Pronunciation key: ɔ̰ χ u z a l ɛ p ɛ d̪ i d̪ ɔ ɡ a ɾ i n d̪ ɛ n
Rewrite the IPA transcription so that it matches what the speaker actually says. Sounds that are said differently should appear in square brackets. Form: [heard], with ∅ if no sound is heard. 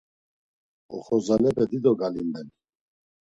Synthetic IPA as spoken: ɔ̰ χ [ɔ] z a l ɛ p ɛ d̪ i d̪ ɔ ɡ a [l] i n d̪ ɛ n